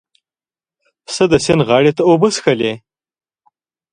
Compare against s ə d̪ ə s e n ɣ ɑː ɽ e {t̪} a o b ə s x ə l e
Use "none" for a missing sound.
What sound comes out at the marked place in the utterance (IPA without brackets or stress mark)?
t̪